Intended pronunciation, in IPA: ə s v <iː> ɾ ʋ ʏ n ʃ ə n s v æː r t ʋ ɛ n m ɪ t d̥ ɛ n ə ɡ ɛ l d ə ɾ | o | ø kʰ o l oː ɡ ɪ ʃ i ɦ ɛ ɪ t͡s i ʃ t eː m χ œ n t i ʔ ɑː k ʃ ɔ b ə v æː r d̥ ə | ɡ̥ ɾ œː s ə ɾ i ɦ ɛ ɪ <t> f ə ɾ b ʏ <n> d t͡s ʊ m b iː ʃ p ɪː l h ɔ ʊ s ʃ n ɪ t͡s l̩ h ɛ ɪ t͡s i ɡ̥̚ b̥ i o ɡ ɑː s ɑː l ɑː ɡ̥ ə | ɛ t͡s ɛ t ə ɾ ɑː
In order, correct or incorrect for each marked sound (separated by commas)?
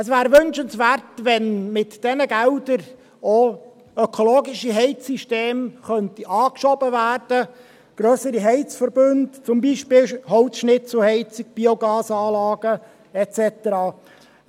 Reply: incorrect, incorrect, correct